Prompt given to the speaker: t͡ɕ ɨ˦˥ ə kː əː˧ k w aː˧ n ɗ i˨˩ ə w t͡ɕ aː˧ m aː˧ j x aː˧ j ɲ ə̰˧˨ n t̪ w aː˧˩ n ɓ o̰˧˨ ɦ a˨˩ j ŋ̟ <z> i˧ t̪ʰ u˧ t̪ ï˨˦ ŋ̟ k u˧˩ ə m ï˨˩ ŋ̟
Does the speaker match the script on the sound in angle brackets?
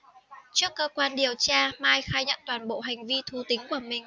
no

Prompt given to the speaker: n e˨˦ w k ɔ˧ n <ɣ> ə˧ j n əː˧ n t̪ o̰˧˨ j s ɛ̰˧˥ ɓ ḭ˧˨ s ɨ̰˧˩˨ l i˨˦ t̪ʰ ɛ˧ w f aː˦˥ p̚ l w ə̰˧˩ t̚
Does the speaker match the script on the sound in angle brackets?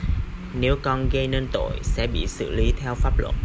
yes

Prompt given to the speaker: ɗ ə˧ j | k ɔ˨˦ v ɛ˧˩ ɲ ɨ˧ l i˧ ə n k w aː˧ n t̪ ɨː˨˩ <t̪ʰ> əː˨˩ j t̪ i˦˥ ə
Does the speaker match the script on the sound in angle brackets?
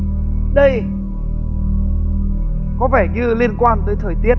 yes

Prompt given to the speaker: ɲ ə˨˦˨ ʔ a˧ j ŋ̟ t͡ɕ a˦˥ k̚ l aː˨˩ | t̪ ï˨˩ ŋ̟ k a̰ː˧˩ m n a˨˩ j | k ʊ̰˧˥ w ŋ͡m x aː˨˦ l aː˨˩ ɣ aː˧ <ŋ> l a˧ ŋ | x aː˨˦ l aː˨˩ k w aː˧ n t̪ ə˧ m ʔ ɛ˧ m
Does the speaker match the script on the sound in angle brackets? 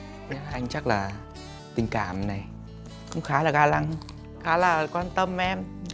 no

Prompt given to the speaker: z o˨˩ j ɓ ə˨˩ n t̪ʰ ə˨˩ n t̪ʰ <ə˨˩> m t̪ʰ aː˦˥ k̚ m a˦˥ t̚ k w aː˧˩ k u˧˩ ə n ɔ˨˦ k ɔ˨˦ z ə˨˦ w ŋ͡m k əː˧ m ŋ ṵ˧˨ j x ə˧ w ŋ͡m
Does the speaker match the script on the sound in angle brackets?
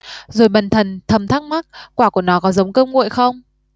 yes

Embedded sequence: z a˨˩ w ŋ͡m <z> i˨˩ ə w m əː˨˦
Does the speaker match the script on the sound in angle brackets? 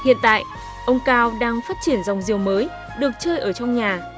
yes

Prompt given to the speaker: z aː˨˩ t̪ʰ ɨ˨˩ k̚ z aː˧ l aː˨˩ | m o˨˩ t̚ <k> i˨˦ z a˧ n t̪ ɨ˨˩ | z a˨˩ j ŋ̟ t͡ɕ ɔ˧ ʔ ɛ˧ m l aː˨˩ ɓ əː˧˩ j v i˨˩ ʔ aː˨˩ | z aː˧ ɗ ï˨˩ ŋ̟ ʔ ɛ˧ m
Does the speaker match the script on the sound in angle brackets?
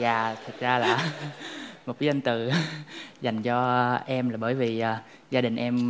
yes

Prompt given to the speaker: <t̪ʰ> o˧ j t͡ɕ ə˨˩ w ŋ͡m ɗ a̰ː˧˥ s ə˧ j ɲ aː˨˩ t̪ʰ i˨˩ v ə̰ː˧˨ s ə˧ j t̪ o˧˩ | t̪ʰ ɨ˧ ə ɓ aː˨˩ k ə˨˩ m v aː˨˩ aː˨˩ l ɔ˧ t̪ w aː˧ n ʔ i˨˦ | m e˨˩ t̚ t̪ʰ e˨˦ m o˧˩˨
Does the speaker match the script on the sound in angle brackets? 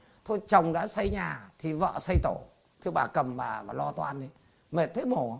yes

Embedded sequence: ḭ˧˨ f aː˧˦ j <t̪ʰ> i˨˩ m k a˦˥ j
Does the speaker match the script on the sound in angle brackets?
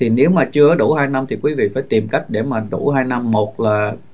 no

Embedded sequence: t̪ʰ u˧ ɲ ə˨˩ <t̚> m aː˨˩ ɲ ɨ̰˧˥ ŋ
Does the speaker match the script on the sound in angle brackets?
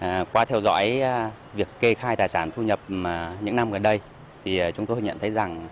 no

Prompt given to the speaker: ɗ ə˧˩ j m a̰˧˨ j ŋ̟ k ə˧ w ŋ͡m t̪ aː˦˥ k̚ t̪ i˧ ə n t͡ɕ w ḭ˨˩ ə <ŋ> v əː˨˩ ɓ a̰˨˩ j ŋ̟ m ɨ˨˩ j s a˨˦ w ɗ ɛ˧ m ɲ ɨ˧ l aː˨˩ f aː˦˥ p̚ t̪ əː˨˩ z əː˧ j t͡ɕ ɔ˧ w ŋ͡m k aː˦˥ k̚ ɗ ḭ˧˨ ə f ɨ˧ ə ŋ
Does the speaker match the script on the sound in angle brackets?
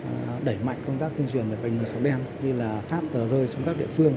no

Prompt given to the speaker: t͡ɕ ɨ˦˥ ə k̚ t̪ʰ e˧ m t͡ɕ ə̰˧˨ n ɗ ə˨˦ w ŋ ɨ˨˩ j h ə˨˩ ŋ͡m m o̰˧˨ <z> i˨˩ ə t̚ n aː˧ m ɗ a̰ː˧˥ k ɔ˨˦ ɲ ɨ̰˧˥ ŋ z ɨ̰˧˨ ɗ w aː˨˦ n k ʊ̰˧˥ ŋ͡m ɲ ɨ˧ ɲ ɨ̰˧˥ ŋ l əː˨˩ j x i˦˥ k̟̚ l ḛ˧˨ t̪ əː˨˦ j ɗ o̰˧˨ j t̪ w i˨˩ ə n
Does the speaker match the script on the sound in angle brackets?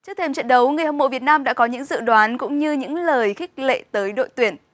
no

